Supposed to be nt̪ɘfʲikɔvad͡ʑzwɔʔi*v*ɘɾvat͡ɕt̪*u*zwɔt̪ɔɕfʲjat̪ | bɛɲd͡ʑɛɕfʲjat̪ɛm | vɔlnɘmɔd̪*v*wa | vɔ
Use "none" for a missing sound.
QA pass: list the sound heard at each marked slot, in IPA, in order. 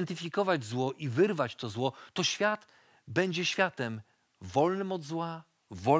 v, ɔ, z

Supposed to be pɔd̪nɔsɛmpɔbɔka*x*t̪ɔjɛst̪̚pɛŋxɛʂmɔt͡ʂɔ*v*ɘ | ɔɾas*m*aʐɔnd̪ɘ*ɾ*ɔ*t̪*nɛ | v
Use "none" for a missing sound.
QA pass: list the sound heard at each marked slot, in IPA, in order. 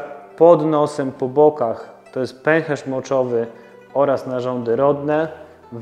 x, v, n, ɾ, d̪

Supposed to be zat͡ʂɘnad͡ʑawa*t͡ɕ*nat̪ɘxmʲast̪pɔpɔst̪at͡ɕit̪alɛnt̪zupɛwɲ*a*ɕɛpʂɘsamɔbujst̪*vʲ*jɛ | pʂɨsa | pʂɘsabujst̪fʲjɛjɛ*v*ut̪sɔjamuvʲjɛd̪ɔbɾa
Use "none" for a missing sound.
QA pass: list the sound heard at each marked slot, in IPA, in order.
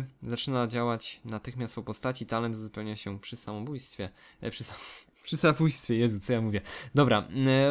t͡ɕ, a, fʲ, z

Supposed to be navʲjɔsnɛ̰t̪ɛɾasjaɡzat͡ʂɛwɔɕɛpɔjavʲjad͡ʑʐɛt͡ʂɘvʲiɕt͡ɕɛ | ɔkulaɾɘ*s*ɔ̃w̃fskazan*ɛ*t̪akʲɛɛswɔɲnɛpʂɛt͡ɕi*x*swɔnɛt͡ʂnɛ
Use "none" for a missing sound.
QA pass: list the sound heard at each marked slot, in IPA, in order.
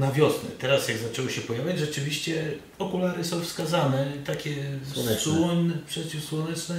s, ɛ, f

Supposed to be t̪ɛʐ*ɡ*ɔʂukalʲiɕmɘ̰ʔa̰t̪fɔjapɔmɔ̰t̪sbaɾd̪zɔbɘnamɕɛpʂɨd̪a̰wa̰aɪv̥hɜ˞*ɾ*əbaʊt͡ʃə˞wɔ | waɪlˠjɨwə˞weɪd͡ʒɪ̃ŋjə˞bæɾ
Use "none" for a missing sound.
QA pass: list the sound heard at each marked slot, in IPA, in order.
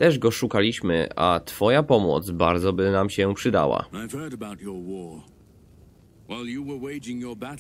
ɡ, ɾ

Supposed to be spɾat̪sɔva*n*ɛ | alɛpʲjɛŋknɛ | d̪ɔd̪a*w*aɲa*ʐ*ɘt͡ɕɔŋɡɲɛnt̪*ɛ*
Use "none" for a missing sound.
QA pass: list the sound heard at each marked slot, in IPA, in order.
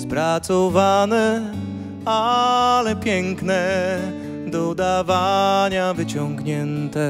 n, v, v, ɛ

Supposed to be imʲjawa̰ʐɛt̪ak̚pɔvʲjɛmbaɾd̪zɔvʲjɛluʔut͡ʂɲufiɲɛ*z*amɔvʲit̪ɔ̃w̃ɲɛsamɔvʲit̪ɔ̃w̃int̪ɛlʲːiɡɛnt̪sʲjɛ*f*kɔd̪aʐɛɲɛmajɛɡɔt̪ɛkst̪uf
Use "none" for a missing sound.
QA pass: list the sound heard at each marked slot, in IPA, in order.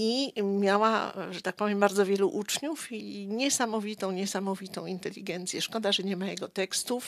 s, ʂ

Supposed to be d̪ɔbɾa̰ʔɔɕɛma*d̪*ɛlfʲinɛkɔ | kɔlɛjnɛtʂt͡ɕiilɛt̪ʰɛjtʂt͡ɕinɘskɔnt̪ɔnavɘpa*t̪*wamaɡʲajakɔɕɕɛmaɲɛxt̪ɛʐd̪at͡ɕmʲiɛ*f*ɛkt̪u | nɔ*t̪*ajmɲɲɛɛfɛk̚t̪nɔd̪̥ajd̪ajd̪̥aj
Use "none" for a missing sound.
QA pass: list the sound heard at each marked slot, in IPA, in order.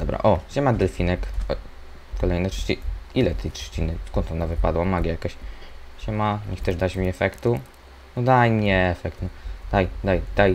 d̪, d̪, f, d̪

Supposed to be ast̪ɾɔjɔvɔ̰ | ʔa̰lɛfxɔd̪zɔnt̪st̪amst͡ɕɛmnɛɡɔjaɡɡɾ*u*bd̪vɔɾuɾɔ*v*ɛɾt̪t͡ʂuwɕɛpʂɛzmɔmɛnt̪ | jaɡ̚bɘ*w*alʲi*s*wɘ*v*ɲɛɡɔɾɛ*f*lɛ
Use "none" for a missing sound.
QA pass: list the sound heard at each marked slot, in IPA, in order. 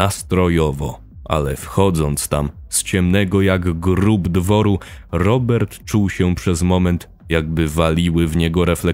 u, b, v, none, v, f

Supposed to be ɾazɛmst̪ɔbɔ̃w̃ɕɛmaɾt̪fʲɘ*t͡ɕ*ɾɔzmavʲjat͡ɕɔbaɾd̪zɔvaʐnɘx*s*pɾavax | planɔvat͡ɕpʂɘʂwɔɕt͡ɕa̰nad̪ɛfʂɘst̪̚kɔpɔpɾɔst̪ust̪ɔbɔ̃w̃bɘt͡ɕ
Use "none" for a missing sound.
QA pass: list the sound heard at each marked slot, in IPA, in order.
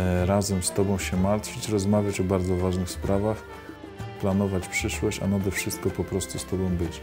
t͡ɕ, s

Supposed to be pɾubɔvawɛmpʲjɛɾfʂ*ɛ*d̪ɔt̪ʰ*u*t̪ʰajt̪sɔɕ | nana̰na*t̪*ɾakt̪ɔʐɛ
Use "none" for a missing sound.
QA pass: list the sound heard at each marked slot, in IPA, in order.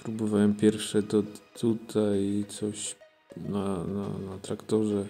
ɛ, u, t̪

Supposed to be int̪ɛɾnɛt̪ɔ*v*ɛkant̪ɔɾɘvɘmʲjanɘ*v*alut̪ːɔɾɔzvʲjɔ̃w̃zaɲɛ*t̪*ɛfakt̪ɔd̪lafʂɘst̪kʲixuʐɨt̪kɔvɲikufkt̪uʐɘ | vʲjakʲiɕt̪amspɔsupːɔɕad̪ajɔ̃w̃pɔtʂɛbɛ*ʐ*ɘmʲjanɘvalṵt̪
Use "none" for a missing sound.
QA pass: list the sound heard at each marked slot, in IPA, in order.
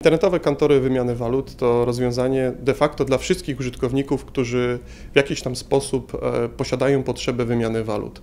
v, v, d̪, v

